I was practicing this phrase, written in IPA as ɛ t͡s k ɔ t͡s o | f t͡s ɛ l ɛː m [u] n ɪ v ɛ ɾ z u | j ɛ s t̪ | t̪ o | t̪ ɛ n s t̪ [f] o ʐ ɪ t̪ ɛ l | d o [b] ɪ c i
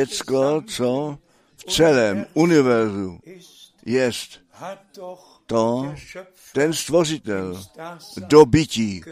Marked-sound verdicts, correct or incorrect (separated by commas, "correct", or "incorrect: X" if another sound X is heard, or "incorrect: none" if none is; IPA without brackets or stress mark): correct, incorrect: v, correct